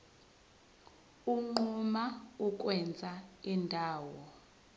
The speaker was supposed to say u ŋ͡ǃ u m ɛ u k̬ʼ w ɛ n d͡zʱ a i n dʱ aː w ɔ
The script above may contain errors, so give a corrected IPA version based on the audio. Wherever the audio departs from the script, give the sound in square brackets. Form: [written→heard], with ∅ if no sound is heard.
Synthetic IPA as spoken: u ŋ͡ǃ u m [ɛ→a] u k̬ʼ w ɛ n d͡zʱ a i n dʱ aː w ɔ